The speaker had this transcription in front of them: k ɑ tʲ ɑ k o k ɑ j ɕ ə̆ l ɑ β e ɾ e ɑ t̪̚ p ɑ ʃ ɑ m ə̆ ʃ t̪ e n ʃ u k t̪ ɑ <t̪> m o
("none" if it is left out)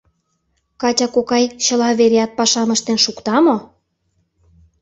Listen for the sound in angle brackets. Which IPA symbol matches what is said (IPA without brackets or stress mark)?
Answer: none